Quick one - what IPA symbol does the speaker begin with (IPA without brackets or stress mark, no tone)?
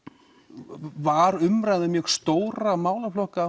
v